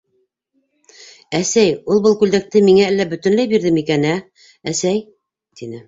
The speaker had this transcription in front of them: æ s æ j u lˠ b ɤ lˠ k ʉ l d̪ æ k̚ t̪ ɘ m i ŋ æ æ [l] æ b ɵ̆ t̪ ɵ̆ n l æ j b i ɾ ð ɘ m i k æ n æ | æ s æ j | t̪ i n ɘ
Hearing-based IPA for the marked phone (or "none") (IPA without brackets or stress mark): lː